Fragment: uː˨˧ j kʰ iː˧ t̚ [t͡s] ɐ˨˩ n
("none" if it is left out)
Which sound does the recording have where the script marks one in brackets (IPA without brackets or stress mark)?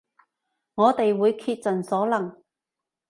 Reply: t͡s